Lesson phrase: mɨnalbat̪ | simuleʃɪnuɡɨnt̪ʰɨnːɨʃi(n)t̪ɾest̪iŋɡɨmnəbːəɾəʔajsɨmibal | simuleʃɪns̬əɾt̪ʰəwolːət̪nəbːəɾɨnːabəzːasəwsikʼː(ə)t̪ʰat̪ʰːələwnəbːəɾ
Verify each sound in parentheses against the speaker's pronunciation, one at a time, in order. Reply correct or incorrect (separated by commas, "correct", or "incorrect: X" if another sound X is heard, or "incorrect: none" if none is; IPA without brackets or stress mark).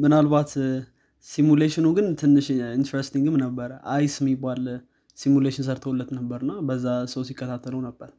correct, correct